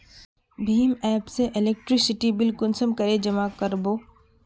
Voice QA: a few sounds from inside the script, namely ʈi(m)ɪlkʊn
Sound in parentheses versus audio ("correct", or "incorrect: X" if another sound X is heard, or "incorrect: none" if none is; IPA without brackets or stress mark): incorrect: b